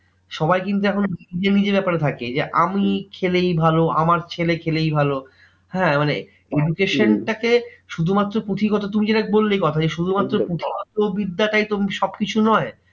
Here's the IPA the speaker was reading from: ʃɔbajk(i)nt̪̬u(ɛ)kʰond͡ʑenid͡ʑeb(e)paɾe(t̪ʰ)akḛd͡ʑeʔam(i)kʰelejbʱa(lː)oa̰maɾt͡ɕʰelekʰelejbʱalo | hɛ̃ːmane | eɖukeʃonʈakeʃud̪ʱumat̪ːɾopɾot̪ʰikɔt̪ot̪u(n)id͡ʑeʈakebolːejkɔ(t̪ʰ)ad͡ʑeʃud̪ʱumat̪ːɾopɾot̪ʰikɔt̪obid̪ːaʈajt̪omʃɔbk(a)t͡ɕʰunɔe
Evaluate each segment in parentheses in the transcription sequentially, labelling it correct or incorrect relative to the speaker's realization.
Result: correct, correct, incorrect, correct, correct, incorrect, incorrect, correct, incorrect

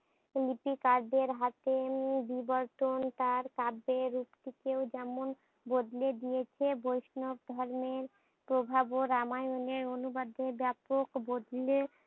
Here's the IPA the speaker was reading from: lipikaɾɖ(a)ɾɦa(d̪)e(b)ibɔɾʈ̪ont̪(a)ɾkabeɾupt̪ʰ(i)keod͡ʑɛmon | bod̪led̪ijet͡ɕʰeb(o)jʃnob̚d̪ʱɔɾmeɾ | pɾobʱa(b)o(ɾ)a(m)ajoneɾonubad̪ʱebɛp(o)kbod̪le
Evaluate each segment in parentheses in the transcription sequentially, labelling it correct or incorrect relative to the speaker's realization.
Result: incorrect, incorrect, correct, correct, correct, correct, correct, correct, correct, correct

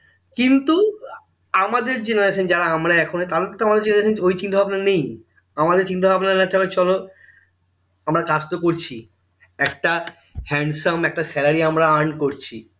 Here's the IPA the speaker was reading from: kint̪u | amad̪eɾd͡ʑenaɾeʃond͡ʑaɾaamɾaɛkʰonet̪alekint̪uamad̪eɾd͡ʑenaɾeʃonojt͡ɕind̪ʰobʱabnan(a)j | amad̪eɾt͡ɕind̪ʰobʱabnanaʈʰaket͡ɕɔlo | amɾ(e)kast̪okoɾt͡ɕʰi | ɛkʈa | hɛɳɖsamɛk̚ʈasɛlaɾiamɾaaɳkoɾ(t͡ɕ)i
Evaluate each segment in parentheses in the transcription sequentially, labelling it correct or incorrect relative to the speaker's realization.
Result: incorrect, incorrect, incorrect

